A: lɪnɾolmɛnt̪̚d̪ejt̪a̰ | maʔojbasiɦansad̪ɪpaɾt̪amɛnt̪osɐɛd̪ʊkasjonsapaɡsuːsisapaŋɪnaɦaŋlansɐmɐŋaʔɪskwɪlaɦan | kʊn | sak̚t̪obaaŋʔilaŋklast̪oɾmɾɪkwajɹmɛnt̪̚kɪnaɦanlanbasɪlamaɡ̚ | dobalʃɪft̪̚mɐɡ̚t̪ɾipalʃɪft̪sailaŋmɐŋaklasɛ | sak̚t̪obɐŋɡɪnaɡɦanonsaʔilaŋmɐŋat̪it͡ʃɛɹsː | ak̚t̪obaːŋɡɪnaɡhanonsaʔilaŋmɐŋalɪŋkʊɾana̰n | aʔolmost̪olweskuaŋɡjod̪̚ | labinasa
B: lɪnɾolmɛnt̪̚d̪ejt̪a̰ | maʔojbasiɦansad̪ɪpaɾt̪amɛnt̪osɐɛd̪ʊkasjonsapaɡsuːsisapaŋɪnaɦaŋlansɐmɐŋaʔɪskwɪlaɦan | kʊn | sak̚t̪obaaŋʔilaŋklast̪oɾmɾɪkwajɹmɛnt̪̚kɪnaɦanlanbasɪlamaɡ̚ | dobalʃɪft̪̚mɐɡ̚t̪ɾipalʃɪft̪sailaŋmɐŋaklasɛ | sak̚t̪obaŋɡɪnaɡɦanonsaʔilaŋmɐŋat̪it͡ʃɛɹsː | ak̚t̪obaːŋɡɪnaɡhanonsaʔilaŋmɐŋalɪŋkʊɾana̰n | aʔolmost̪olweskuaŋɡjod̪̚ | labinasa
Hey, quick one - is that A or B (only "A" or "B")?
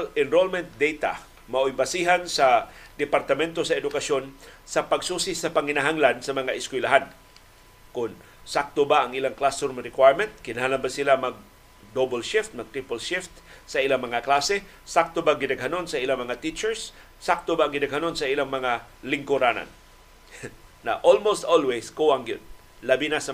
B